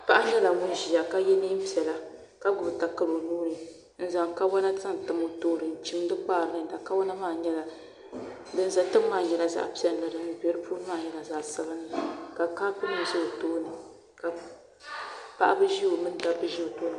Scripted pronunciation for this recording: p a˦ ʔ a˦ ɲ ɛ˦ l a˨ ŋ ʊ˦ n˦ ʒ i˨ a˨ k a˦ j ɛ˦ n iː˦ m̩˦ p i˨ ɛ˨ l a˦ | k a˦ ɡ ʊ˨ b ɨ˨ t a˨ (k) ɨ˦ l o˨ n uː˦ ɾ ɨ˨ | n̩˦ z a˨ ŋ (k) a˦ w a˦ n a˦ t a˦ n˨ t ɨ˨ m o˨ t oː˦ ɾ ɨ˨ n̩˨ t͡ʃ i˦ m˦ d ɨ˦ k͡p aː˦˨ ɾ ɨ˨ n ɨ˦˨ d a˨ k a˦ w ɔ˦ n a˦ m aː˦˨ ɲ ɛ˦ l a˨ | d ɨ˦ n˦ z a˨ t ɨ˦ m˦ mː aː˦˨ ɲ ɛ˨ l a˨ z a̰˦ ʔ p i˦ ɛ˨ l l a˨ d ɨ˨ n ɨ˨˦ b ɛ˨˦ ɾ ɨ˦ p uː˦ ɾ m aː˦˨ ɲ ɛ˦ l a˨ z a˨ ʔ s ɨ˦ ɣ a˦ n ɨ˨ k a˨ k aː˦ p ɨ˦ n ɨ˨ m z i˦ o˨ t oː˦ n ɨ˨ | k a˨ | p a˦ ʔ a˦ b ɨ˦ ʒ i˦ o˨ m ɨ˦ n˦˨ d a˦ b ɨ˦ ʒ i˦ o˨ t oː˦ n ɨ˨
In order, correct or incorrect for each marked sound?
correct, correct

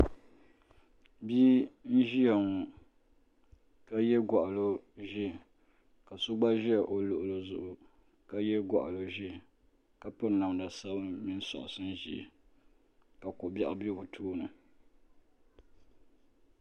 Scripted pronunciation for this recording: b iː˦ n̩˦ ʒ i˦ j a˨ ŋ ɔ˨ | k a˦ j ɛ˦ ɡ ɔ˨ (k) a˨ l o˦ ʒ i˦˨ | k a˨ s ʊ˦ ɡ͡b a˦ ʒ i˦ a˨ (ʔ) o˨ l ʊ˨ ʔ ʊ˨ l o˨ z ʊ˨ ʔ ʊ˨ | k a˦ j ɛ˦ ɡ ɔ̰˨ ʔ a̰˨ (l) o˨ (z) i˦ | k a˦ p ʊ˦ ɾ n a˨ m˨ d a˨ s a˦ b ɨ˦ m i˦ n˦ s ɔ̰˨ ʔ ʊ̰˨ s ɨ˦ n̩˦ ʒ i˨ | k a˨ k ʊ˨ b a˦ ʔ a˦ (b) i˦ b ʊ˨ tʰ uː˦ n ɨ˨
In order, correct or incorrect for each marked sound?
incorrect: ʔ, correct, correct, incorrect: ʒ, correct

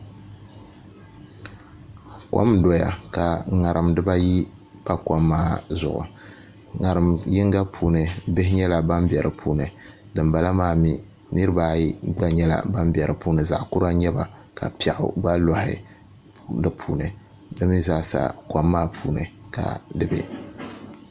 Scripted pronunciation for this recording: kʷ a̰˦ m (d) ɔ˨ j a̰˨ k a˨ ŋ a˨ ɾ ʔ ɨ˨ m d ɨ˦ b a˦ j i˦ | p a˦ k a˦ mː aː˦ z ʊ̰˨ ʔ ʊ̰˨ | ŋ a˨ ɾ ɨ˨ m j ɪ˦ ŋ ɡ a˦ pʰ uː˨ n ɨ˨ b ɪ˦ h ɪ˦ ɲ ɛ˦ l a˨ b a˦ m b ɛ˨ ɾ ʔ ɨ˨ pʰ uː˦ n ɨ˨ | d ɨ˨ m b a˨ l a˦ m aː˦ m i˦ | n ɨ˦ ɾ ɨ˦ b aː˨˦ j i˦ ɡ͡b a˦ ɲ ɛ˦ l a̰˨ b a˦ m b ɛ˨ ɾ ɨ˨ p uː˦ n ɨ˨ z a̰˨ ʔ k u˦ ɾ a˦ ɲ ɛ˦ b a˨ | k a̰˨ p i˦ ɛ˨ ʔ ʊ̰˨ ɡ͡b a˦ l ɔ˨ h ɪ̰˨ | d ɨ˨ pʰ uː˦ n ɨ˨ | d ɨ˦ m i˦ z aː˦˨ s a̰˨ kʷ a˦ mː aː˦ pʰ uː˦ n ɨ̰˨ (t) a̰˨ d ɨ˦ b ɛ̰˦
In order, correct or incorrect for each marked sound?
correct, incorrect: k

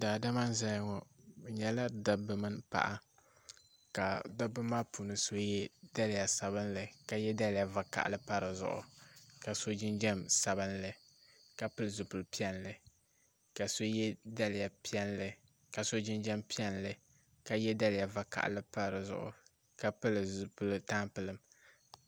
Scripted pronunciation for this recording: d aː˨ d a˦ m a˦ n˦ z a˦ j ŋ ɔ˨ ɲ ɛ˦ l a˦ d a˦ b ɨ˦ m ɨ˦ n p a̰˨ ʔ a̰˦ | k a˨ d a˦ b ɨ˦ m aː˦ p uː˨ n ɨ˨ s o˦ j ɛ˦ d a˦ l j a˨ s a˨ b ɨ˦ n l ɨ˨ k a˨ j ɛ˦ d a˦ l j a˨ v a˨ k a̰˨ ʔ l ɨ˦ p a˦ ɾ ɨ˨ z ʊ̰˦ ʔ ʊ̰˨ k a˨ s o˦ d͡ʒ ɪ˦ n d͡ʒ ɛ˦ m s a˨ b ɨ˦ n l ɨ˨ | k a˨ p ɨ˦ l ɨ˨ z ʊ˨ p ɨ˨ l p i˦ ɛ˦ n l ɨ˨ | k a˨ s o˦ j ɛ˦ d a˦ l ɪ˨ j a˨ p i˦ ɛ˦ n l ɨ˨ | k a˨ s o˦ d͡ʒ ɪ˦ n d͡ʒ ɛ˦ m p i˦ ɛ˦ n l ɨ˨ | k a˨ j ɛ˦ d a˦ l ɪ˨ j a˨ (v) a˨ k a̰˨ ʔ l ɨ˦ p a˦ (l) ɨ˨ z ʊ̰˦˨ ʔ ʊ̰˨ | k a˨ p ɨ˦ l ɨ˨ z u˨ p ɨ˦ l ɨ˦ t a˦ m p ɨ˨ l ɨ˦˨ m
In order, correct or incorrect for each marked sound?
correct, incorrect: ɾ

